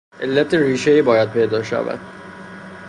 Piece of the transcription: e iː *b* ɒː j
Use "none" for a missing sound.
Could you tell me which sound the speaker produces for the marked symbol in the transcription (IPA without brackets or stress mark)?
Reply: b